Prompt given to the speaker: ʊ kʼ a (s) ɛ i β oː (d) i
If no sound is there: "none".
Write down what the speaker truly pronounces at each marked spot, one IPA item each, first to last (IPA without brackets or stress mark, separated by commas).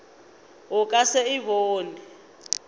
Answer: s, n